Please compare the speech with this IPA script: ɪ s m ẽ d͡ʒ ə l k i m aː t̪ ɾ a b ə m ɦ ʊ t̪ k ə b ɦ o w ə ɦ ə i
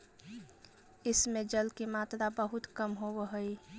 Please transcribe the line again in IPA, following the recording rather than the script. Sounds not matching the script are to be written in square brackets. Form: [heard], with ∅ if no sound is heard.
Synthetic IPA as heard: ɪ s m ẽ d͡ʒ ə l k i m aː t̪ ɾ a b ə [∅] ɦ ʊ t̪ k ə [m] ɦ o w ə ɦ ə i